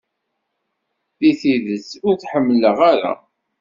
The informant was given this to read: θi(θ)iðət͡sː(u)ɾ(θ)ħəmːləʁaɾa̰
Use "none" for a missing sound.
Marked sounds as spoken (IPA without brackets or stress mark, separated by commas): θ, ʊ, θ